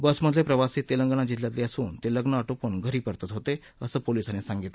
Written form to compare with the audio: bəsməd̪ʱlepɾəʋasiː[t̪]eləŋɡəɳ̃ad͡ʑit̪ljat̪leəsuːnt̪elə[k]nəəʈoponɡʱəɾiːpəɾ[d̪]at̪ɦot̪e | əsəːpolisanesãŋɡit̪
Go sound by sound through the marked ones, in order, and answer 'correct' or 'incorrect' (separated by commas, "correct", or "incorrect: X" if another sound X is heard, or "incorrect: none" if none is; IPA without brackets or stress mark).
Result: correct, incorrect: ɡ, incorrect: t̪